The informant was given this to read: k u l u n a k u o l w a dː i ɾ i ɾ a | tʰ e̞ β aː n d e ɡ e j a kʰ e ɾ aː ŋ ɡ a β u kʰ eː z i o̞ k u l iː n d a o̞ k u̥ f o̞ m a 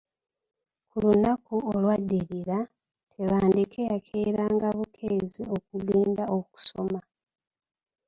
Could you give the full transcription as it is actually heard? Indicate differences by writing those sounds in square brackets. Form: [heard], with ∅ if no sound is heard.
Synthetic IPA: k u l u n a k u o l w a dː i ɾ i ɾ a | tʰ e̞ β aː n d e [k] e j a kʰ e ɾ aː ŋ ɡ a β u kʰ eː z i o̞ k u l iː n d a o̞ k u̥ [s] o̞ m a